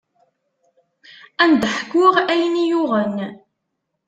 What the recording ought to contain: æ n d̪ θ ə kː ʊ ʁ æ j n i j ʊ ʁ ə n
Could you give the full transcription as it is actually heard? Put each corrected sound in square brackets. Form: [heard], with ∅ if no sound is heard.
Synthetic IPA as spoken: æ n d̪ [ħ] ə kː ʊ ʁ æ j n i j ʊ ʁ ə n

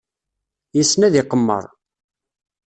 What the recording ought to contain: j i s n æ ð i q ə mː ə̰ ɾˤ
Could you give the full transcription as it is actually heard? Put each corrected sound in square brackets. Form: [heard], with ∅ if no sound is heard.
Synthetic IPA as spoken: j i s n æ ð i q ə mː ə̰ ɾˤ

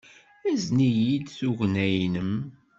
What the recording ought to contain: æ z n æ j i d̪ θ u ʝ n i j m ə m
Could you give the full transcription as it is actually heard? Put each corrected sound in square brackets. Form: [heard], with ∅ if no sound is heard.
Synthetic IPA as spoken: æ z n [i] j i d̪ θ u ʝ n [æ] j [n] ə m

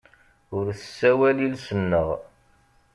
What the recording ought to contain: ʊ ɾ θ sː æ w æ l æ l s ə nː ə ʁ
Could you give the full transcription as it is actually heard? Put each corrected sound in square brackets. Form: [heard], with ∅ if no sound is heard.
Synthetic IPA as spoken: ʊ ɾ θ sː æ w æ l [i] l s ə nː ə ʁ

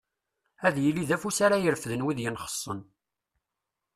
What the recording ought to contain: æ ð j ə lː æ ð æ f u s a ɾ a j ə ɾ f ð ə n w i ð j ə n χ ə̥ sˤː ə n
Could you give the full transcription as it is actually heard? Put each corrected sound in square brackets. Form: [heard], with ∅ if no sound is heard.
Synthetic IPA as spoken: æ ð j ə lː [i] ð æ f u s a ɾ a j ə ɾ f ð ə n w i ð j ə n χ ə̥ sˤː ə n

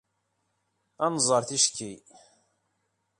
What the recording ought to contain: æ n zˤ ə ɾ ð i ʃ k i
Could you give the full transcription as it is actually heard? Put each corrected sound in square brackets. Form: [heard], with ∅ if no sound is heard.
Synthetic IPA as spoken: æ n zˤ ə ɾ [θ] i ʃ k i

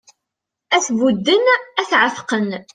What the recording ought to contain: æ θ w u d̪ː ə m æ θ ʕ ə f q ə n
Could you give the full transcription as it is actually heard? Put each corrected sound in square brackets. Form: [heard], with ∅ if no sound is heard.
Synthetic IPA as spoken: æ θ [v] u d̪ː ə [n] æ θ ʕ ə f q ə n

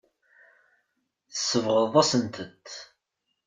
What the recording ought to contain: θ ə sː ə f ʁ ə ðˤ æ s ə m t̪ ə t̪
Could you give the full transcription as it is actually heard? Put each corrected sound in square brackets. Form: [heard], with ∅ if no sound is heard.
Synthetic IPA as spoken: θ ə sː ə [v] ʁ ə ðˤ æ s ə [n] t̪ ə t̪

